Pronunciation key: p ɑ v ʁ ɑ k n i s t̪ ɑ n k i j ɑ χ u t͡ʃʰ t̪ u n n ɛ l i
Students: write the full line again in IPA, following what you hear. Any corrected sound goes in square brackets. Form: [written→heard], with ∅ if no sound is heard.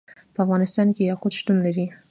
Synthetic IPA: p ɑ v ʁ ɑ [k→∅] n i s t̪ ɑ n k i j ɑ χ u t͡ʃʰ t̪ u n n ɛ [l→ɾ] i

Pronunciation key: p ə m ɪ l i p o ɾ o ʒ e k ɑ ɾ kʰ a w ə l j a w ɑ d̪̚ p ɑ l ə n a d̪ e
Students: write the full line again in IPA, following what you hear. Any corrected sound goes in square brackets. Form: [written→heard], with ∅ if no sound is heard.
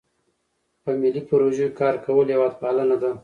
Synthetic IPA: p ə m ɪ l i p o ɾ o ʒ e k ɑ ɾ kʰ a w ə l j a w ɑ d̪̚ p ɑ l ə n a d̪ [e→a]

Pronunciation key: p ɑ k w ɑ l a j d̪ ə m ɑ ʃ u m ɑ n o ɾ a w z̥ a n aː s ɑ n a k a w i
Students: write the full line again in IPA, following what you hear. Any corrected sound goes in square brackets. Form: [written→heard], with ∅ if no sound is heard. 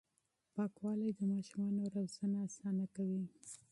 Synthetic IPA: p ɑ k w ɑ l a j d̪ ə m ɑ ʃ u m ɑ n o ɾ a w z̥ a n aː s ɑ n a k a w i

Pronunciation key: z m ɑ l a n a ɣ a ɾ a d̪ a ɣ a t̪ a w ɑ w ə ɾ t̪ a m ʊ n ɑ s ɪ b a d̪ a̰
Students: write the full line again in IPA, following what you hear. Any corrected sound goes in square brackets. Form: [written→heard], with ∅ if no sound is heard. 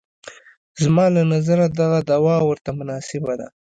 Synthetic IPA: z m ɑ l a n a [ɣ→z] a ɾ a d̪ a ɣ a [t̪→d̪] a w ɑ w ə ɾ t̪ a m ʊ n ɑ s ɪ b a d̪ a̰

